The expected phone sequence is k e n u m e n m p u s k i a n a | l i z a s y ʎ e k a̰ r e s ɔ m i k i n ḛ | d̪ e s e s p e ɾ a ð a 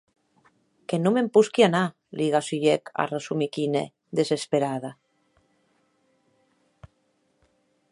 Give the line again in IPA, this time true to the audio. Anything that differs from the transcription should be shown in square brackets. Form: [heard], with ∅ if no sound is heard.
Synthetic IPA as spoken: k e n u m e [∅] m p u s k i a n a | l i [ɣ] a s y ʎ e k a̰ r e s [u] m i k i n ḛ | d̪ e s e s p e ɾ a ð a